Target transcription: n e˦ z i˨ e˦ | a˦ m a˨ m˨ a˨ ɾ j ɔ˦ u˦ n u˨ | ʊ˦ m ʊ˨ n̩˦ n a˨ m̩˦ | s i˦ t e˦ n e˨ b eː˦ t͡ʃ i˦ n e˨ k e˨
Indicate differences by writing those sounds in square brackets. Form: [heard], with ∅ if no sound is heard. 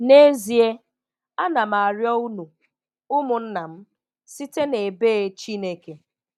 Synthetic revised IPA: n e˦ z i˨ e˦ | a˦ [n] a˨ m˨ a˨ ɾ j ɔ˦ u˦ n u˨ | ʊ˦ m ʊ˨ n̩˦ n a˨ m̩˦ | s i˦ t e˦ n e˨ b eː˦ t͡ʃ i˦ n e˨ k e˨